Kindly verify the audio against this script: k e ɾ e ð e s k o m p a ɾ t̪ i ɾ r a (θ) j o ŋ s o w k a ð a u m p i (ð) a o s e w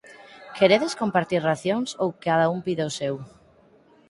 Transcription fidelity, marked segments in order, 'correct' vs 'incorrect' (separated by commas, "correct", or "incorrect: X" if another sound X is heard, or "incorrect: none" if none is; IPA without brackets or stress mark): correct, correct